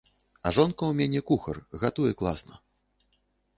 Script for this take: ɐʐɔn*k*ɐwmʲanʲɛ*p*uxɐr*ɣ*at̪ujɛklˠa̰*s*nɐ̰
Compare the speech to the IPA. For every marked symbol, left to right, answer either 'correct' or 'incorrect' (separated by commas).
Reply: correct, incorrect, correct, correct